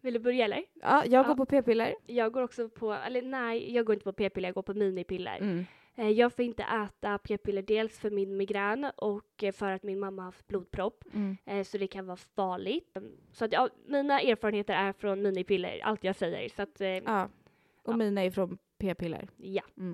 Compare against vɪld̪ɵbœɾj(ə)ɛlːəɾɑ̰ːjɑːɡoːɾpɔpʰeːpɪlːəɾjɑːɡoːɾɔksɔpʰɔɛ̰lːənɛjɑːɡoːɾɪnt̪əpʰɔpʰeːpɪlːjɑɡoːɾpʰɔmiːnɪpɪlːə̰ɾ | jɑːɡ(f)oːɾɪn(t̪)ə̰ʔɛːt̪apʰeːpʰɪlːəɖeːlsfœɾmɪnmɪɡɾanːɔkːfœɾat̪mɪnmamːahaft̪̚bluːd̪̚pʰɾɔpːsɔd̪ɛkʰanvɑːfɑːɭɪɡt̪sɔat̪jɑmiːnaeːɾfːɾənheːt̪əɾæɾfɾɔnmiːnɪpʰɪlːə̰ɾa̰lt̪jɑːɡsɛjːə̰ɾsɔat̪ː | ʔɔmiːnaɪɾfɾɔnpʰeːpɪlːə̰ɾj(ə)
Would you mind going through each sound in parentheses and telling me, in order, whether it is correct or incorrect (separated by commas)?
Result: incorrect, correct, correct, incorrect